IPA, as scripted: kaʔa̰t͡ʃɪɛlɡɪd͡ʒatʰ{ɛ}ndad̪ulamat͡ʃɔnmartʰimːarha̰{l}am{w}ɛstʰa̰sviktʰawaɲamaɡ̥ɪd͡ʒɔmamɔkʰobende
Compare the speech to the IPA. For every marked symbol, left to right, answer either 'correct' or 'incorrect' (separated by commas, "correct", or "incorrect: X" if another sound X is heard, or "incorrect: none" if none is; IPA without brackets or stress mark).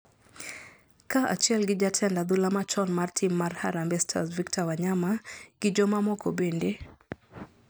correct, incorrect: ɾ, incorrect: b